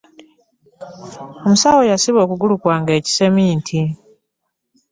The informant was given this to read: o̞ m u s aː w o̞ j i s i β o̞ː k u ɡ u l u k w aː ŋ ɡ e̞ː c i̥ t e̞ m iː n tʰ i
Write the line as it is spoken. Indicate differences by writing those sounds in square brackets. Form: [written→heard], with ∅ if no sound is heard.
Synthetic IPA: o̞ m u s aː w o̞ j [i→a] s i β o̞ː k u ɡ u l u k w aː ŋ ɡ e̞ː c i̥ [t→s] e̞ m iː n tʰ i